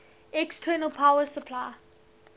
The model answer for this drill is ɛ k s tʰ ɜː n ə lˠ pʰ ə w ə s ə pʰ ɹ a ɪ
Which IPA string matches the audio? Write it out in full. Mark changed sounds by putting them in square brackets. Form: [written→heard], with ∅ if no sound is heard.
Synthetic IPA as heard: ɛ k s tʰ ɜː n ə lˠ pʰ [ə→a] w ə s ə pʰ [ɹ→l] a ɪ